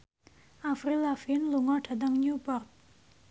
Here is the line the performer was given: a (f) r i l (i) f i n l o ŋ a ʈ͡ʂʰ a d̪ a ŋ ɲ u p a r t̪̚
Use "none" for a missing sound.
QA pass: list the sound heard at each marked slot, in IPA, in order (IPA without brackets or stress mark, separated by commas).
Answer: f, a